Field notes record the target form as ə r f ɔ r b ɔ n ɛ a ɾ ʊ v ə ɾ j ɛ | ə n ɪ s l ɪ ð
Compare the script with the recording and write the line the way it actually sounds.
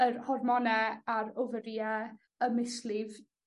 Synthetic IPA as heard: ə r h ɔ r m ɔ n ɛ a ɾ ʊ v ə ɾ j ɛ | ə m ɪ s l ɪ v